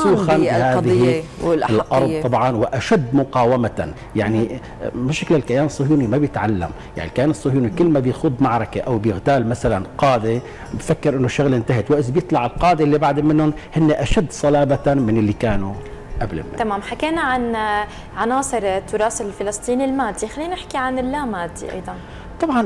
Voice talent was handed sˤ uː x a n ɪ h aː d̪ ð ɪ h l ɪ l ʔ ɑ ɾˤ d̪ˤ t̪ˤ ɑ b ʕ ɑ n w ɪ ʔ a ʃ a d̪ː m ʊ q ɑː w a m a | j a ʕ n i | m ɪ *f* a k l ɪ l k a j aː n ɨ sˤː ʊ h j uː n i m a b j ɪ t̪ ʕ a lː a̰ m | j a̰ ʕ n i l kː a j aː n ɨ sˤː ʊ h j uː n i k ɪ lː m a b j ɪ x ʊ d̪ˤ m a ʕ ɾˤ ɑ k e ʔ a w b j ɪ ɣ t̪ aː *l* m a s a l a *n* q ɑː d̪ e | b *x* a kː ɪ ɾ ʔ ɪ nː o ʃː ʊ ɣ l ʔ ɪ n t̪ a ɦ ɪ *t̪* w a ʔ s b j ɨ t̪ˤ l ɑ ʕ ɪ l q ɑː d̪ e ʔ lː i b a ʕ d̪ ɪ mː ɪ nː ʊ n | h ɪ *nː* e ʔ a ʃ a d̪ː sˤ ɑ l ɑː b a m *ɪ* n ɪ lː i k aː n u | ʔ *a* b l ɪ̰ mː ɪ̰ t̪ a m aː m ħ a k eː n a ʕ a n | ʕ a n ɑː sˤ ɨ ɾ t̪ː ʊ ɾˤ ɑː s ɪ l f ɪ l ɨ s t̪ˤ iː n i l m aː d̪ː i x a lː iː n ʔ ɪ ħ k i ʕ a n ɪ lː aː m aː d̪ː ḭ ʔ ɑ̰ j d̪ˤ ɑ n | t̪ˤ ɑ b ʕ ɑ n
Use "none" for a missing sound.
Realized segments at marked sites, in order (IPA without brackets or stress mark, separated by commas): ʃ, l, n, f, t̪, nː, ɪ, a